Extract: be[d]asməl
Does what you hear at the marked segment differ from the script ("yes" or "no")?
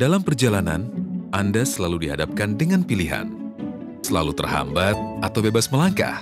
yes